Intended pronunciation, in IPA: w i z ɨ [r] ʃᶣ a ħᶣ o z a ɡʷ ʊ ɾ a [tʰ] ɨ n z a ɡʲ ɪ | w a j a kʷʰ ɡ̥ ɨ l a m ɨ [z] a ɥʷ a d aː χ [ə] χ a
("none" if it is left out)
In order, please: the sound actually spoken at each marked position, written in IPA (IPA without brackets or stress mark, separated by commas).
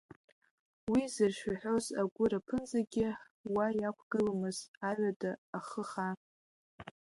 r, pʰ, z, ə